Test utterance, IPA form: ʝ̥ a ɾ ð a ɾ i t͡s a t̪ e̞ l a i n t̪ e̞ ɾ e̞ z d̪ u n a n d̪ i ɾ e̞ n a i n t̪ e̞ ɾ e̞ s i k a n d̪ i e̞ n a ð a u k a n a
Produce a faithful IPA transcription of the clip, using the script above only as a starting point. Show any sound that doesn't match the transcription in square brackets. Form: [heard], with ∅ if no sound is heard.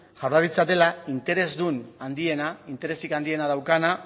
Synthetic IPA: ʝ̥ a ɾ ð a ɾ i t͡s a t̪ e̞ l a i n t̪ e̞ ɾ e̞ z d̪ u n a n d̪ i [∅] e̞ n a i n t̪ e̞ ɾ e̞ s i k a n d̪ i e̞ n a ð a [w] k a n a